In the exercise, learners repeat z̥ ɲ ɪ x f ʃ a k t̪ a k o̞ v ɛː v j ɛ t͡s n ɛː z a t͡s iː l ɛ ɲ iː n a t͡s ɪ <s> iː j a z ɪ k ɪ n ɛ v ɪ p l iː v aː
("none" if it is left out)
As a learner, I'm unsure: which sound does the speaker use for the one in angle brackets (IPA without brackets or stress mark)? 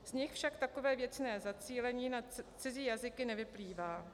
z